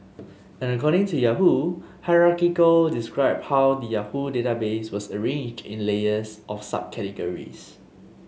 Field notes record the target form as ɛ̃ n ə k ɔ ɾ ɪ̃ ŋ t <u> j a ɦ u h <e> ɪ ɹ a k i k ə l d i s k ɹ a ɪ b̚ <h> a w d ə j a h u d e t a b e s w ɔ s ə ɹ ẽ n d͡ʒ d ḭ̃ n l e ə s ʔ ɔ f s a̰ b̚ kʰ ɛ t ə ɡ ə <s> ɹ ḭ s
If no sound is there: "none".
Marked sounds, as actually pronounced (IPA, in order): u, a, h, none

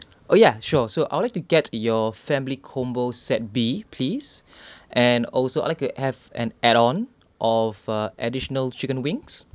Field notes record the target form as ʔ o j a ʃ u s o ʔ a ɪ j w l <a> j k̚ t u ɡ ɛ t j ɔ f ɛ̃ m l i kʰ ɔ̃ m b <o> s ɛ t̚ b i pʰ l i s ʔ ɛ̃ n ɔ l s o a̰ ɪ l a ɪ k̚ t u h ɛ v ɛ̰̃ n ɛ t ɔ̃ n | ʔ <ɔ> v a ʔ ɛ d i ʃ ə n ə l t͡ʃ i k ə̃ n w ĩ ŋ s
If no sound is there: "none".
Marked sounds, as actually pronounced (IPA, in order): a, o, ɔ

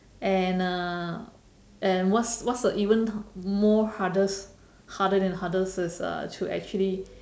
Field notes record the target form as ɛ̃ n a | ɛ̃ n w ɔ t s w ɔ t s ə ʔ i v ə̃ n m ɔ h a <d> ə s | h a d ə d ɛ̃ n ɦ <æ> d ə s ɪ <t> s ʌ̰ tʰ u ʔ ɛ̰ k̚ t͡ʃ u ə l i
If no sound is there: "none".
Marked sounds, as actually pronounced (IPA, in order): d, a, none

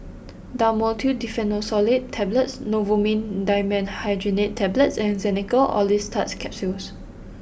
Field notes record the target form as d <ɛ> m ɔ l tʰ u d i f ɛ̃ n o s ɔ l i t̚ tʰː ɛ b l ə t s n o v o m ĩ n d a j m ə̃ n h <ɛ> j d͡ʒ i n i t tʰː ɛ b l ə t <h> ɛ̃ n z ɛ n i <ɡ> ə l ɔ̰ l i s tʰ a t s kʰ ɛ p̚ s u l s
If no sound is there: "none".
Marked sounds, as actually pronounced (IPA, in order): a, a, s, k

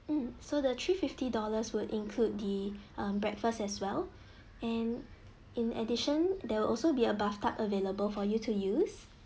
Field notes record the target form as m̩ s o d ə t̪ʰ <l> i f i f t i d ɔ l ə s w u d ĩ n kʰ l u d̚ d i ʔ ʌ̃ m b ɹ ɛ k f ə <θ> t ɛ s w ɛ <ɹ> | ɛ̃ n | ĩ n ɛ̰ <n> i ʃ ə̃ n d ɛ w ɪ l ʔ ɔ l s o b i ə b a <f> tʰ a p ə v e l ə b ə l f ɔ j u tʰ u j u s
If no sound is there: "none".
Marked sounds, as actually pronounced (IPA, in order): ɹ, s, l, d, f

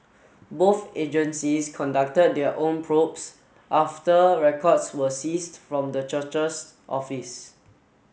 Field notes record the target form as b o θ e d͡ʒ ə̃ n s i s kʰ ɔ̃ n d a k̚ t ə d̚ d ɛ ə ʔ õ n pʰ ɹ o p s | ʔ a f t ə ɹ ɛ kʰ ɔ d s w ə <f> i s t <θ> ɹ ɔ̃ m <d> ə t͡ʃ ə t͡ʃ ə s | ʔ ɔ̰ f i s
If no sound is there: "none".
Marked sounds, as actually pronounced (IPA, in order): s, f, d

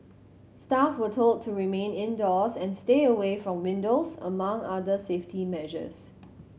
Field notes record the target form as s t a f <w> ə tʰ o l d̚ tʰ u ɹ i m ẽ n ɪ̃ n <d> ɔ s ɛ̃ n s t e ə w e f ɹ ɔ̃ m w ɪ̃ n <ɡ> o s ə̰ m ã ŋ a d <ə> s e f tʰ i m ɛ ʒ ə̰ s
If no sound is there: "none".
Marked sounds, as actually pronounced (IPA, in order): w, d, d, ə

